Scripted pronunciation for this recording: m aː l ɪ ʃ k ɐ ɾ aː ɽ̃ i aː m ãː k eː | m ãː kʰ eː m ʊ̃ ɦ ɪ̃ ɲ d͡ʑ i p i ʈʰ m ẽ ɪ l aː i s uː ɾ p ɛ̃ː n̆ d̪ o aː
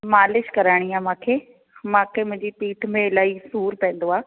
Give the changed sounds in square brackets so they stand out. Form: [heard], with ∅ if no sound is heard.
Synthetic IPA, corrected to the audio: m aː l ɪ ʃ k ɐ ɾ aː ɽ̃ i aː m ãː [kʰ] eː | m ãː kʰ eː m ʊ̃ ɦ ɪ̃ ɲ d͡ʑ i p [iː] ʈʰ m ẽ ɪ l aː i s uː ɾ p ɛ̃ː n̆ d̪ o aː